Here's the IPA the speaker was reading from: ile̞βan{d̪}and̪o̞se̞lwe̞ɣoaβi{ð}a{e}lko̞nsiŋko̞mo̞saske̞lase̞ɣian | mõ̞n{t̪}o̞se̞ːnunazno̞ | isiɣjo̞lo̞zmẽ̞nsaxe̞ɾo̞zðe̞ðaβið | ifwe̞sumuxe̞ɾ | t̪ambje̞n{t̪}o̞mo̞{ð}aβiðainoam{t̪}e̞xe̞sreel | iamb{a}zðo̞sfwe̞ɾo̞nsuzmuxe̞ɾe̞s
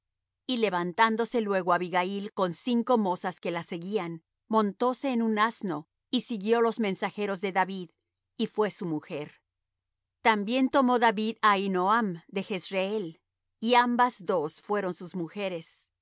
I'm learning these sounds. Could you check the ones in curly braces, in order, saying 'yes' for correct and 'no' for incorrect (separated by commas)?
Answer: no, no, no, yes, yes, yes, no, yes